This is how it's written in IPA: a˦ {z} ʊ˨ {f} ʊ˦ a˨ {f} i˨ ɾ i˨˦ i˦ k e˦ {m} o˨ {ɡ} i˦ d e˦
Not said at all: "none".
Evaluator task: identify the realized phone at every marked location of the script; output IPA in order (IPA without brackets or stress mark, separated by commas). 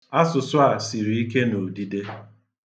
s, s, s, n, d